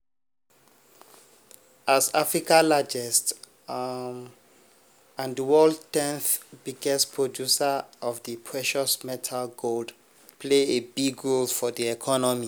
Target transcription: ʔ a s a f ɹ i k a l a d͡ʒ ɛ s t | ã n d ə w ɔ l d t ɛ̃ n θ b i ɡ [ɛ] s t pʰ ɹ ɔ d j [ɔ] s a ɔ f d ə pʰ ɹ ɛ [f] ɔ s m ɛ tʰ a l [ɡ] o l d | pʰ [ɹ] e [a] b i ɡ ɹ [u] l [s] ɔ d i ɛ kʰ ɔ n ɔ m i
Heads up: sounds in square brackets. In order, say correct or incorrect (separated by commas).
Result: correct, incorrect, incorrect, correct, incorrect, incorrect, incorrect, incorrect